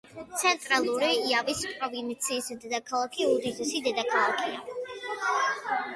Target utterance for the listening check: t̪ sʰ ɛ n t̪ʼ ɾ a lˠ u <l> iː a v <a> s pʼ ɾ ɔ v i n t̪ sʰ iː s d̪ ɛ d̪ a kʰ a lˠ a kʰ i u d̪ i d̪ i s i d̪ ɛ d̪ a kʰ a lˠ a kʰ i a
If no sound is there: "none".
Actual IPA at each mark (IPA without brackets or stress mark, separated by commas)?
ɾ, i